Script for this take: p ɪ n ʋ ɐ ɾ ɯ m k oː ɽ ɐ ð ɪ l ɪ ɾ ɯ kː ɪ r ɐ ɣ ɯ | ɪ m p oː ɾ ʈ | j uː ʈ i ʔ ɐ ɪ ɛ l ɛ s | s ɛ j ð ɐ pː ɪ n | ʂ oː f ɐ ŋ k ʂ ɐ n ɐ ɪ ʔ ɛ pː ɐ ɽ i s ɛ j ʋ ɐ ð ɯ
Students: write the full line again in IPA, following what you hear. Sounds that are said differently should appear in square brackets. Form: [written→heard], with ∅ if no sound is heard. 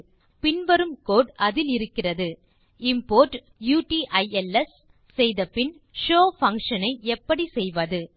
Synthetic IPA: p ɪ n ʋ ɐ ɾ ɯ m k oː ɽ ɐ ð ɪ l ɪ ɾ ɯ kː ɪ r ɐ [ɣ→ð] ɯ | ɪ m p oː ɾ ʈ | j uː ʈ i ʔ ɐ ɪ ɛ l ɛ s | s ɛ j ð ɐ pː ɪ n | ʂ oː f ɐ ŋ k ʂ ɐ n ɐ ɪ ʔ ɛ pː ɐ ɽ i s ɛ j ʋ ɐ ð ɯ